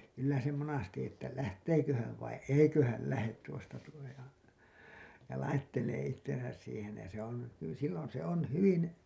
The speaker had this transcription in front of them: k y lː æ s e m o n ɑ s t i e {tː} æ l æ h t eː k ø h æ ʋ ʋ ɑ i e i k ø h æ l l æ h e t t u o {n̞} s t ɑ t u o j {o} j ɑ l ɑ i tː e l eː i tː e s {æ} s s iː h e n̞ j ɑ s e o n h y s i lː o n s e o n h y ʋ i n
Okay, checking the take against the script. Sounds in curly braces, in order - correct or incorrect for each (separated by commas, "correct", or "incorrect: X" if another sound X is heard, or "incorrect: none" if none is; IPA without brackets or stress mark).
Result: correct, incorrect: none, correct, correct